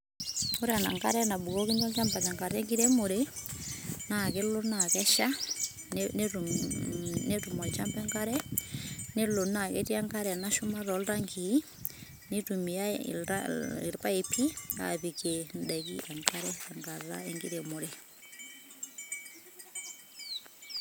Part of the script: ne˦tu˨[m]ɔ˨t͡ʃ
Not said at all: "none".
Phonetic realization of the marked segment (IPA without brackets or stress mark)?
m